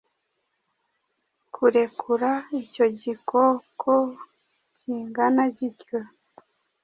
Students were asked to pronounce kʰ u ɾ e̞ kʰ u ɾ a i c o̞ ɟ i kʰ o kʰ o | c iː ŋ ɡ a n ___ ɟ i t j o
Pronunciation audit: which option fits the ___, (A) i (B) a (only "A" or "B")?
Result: B